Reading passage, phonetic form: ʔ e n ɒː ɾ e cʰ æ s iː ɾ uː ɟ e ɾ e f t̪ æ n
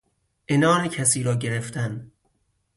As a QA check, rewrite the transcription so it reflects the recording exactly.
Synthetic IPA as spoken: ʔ e n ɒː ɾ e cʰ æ s iː ɾ ɒː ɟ e ɾ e f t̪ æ n